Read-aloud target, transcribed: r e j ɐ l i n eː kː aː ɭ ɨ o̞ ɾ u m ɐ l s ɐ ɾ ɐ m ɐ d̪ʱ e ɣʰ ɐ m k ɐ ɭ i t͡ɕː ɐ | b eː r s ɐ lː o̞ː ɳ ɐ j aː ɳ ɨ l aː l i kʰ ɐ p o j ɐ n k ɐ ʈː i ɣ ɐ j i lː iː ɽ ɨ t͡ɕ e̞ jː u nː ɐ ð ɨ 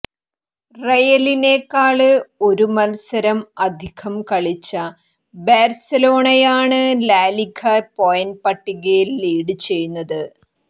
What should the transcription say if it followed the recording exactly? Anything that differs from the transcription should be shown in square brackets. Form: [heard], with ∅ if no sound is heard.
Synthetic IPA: r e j ɐ l i n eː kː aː ɭ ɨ o̞ ɾ u m ɐ l s ɐ ɾ ɐ m ɐ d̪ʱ [i] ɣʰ ɐ m k ɐ ɭ i t͡ɕː ɐ | b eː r s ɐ [l] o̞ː ɳ ɐ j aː ɳ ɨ l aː l i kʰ ɐ p o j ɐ n [p] ɐ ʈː i ɣ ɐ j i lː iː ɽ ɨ t͡ɕ e̞ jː u nː ɐ ð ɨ